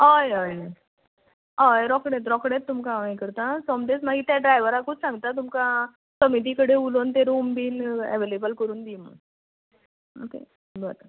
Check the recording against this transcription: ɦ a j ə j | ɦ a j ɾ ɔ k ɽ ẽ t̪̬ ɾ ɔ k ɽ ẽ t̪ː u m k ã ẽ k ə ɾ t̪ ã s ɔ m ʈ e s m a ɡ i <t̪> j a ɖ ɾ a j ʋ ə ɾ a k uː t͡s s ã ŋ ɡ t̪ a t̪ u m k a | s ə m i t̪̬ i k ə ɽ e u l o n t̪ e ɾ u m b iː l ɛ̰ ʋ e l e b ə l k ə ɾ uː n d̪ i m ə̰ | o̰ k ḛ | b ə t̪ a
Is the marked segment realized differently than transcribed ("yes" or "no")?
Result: no